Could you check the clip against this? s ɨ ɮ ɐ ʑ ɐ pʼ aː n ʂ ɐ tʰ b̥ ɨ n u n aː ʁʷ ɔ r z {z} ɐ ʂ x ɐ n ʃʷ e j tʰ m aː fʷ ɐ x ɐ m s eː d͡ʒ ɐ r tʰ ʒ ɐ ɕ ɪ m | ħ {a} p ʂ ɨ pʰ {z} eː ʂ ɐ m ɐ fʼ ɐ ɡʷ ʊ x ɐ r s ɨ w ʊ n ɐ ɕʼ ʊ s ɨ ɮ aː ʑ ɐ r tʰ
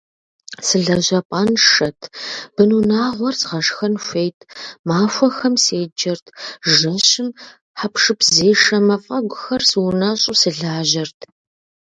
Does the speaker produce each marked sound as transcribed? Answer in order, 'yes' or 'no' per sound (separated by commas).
no, yes, yes